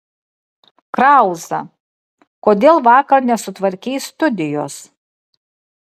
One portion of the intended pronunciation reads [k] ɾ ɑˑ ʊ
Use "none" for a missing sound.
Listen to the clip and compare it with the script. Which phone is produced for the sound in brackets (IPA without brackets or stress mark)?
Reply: k